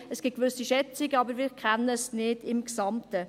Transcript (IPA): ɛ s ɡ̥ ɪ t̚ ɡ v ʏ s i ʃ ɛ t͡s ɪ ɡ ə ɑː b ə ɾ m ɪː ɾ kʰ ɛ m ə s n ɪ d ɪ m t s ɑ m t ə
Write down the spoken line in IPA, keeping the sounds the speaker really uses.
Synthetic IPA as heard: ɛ s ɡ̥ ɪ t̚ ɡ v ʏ s i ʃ ɛ t͡s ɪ ɡ ə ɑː b ə ɾ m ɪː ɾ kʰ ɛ n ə s n ɪ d ɪ m k s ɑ m t ə